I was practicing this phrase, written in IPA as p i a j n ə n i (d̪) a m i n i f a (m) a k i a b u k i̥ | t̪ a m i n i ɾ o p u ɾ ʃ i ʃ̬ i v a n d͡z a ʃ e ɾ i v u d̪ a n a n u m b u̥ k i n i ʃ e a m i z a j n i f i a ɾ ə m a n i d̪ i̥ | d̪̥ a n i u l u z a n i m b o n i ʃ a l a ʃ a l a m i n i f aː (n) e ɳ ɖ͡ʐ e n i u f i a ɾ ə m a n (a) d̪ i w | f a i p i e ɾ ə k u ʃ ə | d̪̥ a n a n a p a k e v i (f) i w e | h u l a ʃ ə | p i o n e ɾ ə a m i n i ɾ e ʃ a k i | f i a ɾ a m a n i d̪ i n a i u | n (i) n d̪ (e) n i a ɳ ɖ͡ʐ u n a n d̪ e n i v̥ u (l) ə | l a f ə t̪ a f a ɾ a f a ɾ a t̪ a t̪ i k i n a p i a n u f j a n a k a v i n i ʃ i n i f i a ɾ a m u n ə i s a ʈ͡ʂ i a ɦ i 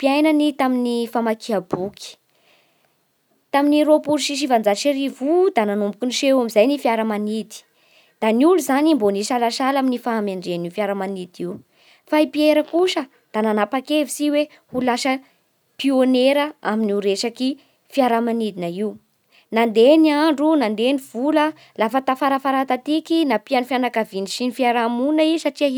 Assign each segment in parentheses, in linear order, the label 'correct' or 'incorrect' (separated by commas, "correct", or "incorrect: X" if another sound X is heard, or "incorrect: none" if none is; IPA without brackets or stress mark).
incorrect: t̪, correct, incorrect: m, incorrect: i, incorrect: s, incorrect: a, correct, correct